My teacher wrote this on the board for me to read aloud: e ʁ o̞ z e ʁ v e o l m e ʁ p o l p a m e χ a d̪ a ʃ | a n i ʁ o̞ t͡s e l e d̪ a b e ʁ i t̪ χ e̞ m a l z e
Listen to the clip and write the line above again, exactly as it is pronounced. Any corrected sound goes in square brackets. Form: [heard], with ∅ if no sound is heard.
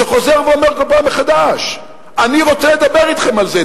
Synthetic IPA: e [χ] o̞ z e ʁ v e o [∅] m e ʁ [k] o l p a m e χ a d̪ a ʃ | a n i ʁ o̞ t͡s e l e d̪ a b e ʁ i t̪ χ e̞ m a l z e